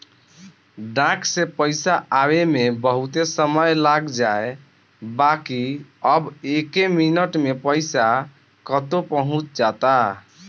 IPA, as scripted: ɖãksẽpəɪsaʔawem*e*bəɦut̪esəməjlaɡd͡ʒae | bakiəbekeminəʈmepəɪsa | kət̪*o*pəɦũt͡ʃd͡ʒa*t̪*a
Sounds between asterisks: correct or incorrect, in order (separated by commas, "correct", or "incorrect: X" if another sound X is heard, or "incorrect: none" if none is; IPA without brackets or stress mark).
correct, correct, correct